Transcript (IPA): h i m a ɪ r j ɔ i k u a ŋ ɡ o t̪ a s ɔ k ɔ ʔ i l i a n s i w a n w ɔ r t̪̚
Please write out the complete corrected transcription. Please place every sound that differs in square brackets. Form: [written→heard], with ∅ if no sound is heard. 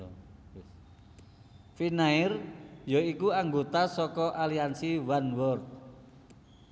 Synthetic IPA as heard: [h→f] i [m→n] a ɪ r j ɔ i k u a ŋ ɡ o t̪ a s ɔ k ɔ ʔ [i→a] l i a n s i w a n w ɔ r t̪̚